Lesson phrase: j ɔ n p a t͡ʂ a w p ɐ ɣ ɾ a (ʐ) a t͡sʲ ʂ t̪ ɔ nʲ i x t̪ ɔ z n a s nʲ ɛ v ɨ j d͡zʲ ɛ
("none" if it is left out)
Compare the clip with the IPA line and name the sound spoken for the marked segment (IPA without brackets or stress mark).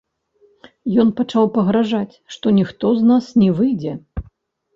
ʐ